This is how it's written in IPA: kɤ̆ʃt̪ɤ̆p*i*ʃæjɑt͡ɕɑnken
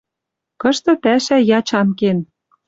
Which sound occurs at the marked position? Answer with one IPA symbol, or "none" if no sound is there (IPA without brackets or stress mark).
æ